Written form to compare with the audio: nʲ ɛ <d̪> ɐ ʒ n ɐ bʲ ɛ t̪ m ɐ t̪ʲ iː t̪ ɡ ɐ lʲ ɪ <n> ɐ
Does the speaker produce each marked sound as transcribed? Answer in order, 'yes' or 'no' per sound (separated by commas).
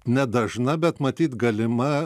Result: yes, no